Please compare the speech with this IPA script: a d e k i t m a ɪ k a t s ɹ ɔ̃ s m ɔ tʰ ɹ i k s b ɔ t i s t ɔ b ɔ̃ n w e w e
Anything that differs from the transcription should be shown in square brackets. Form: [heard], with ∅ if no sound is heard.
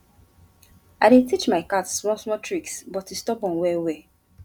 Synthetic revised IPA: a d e [t] i [t͡ʃ] m a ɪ k a t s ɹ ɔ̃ s m ɔ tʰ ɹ i k s b ɔ t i s t ɔ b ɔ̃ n w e w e